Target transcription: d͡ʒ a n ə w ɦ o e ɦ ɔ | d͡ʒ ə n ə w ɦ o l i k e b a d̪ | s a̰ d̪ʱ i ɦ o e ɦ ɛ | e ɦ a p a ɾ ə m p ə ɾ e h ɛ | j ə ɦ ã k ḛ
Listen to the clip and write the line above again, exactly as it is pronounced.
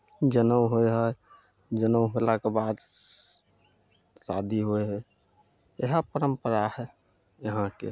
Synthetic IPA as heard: d͡ʒ ə n ə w ɦ o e ɦ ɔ | d͡ʒ ə n ə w ɦ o l a k e b a d̪ | s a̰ d̪ʱ i ɦ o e ɦ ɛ | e ɦ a p ə ɾ ə m p ə ɾ a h ɛ | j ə ɦ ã k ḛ